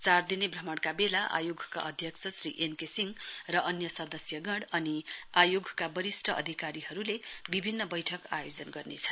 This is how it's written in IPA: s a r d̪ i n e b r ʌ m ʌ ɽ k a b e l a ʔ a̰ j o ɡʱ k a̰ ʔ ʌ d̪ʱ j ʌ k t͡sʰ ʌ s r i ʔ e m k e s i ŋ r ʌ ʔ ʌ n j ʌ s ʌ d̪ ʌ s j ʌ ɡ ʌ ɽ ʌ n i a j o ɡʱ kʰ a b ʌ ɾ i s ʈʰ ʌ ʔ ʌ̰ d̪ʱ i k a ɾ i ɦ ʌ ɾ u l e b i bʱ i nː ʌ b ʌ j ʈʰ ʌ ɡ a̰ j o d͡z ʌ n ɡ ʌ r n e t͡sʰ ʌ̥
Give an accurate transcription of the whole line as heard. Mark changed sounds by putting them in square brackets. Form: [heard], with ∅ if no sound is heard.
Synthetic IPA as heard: [t͡s] a r d̪ i n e b r ʌ m ʌ ɽ k a b e l a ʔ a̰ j o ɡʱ k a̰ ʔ ʌ d̪ʱ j ʌ k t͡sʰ ʌ s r i ʔ e [n] k e s i ŋ r ʌ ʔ ʌ n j ʌ s ʌ d̪ ʌ s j ʌ ɡ ʌ ɽ ʌ n i a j o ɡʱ [k] a b ʌ ɾ i s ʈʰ ʌ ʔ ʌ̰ d̪ʱ i k a ɾ i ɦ ʌ ɾ u l e b i bʱ i nː ʌ b ʌ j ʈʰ ʌ [k] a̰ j o d͡z ʌ n ɡ ʌ r n e t͡sʰ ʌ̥

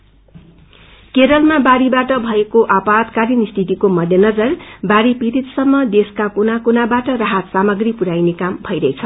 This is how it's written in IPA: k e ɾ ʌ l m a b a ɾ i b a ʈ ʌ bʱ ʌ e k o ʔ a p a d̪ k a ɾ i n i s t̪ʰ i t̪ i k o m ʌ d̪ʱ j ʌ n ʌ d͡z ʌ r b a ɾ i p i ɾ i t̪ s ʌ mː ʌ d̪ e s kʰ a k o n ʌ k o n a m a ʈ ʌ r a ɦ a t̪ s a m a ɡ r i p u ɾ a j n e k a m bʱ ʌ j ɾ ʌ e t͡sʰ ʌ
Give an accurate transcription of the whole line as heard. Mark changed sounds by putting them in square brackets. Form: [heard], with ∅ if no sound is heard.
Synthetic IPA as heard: k e ɾ ʌ l m a b a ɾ i b a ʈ ʌ bʱ ʌ e k o ʔ a p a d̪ k a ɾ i n i s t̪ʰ i t̪ i k o m ʌ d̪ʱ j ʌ n ʌ d͡z ʌ r b a ɾ i p i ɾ i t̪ s ʌ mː ʌ d̪ e s [k] a k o n [a] k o n a [b] a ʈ ʌ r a ɦ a t̪ s a m [ʌ] ɡ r i p u ɾ a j n e k a m bʱ ʌ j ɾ ʌ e t͡sʰ ʌ

